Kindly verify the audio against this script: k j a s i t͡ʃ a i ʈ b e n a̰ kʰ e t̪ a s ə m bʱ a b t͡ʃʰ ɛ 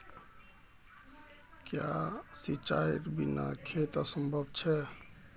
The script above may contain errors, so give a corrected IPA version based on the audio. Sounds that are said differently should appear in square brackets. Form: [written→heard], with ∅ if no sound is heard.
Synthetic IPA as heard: k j a s i t͡ʃ a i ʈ b [e→i] n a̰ kʰ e t̪ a s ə m bʱ [a→ə] b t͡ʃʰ ɛ